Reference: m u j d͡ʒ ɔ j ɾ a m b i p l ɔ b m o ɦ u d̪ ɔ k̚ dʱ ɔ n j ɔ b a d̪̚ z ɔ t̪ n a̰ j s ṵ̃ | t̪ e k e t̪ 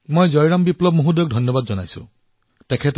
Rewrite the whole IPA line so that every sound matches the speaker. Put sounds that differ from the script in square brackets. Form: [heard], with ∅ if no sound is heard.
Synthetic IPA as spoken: m [o] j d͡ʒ ɔ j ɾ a m b i p l ɔ b m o ɦ u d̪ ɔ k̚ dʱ ɔ n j ɔ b a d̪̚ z ɔ [∅] n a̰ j s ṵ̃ | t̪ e [kʰ] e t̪

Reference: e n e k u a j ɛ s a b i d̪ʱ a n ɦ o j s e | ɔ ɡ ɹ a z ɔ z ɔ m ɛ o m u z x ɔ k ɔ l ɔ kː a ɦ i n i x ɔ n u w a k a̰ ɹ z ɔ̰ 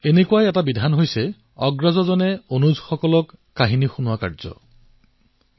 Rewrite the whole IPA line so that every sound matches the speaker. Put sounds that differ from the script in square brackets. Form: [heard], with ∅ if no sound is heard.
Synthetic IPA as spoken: e n e k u a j ɛ [t] a b i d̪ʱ a n ɦ o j s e | ɔ ɡ ɹ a z ɔ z ɔ [n] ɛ o [n] u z x ɔ k ɔ l ɔ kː a ɦ i n i x [u] n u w a k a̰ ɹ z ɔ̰

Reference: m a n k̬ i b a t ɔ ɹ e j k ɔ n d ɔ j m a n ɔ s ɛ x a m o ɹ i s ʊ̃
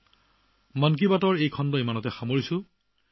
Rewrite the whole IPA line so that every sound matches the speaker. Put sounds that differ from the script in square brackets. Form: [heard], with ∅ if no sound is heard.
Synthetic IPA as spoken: m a n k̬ i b a t ɔ ɹ e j [kʰ] ɔ n d ɔ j m a n ɔ [t] ɛ x a m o ɹ i s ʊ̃

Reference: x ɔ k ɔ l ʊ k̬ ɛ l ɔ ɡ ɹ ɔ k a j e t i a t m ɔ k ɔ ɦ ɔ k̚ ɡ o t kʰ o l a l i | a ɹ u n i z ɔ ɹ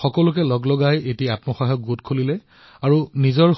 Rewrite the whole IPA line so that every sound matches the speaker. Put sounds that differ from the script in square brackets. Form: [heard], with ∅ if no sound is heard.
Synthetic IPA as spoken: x ɔ k ɔ l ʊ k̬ ɛ l ɔ ɡ [l] ɔ [ɡ] a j e t i a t m ɔ [x] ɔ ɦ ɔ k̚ ɡ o t kʰ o l [i] l [ɛ] | a ɹ u n i z ɔ ɹ

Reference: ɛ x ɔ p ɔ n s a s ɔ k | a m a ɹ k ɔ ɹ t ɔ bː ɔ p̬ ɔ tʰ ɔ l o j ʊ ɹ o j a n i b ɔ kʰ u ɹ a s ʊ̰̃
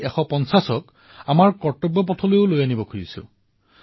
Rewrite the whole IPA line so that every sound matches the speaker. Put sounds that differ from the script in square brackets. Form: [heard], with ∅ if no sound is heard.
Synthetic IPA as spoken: ɛ x ɔ p ɔ n s a s ɔ k | a m a ɹ k ɔ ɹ t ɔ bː ɔ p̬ ɔ tʰ ɔ l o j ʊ [l] o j a n i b ɔ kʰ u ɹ [i] s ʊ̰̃

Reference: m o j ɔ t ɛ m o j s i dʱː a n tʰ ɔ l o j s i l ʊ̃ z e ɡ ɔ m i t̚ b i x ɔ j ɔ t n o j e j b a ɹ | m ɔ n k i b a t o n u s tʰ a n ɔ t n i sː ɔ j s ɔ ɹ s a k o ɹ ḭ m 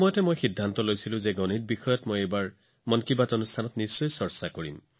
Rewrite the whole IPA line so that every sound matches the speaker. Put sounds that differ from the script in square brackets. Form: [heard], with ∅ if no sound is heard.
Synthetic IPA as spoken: m [ɔ] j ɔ t ɛ m o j [x] i dʱː a n [t] ɔ l o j s i l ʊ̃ z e ɡ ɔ [n] i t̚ b i x ɔ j ɔ t [m] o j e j b a ɹ | m ɔ n k i b a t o n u s tʰ a n ɔ t n i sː ɔ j s ɔ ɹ s a k o ɹ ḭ m

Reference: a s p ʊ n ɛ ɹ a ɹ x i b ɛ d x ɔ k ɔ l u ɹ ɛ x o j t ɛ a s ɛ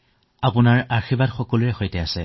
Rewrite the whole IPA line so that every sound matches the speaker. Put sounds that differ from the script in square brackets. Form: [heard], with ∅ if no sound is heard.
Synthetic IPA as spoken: a [∅] p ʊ n [a] ɹ a ɹ x i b [a] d x ɔ k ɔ l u ɹ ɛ x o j t ɛ a s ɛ

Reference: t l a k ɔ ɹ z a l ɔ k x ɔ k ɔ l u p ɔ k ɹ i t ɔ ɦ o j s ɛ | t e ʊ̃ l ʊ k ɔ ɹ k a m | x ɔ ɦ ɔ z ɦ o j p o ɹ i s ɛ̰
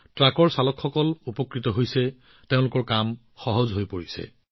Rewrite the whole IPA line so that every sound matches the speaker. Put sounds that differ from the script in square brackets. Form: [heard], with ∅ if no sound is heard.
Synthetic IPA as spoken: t [ɹ] a k ɔ ɹ [s] a l ɔ k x ɔ k ɔ l u p ɔ k ɹ i t ɔ ɦ o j s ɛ | t e ʊ̃ l ʊ k ɔ ɹ k a m | x ɔ ɦ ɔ z ɦ o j p o ɹ i s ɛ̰

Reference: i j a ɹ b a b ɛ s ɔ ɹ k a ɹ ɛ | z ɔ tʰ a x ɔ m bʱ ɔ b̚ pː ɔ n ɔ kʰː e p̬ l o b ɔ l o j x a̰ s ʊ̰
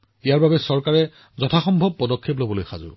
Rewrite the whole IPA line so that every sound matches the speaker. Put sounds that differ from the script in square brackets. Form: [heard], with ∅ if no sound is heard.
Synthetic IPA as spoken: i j a ɹ b a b ɛ s ɔ ɹ k a ɹ ɛ | z ɔ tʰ a x ɔ m bʱ ɔ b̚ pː ɔ [d] ɔ kʰː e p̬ l o b ɔ l o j x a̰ [z] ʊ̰

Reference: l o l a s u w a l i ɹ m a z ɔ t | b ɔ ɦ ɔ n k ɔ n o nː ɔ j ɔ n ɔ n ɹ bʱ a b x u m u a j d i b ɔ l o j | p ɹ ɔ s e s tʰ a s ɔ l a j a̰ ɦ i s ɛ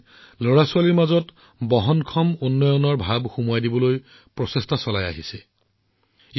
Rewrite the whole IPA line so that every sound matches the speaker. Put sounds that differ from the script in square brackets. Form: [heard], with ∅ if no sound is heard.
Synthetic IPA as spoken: l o [ɹ] a s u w a l i ɹ m a z ɔ t | b ɔ ɦ ɔ n [kʰ] ɔ [m] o nː ɔ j ɔ n ɔ [∅] ɹ bʱ a b x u m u a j d i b ɔ l o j | p ɹ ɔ s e s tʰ a s ɔ l a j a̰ ɦ i s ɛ

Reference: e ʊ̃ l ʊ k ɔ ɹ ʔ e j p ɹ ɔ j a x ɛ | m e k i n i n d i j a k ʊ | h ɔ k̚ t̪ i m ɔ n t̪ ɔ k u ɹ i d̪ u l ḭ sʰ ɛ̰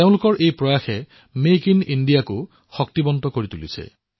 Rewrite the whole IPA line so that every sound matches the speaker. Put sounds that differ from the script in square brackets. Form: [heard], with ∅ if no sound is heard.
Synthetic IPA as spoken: e ʊ̃ l ʊ k ɔ ɹ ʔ e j p ɹ ɔ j a x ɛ | m e k i n i n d i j a k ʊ | [x] ɔ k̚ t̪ i [b] ɔ n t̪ ɔ k [o] ɹ i [t̪] u l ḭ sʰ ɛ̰

